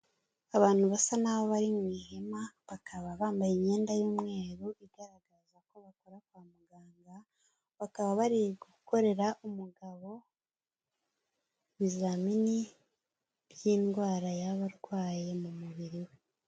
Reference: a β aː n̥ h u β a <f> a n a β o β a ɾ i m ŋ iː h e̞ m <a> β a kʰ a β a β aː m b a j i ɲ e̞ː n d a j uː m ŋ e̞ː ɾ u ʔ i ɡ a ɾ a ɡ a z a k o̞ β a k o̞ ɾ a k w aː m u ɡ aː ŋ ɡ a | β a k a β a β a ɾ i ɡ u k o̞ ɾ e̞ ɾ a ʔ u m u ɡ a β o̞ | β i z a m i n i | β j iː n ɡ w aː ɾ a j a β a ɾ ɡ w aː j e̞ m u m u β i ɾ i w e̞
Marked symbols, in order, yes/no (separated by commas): no, yes